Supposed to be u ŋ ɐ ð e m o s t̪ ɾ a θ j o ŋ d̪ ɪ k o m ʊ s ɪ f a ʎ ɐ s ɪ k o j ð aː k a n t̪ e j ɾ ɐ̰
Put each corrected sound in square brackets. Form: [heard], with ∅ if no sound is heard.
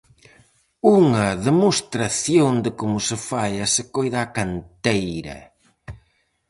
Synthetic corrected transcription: u ŋ ɐ ð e m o s t̪ ɾ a θ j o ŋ d̪ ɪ k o m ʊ s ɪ f a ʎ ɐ s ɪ k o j ð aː k a n t̪ e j ɾ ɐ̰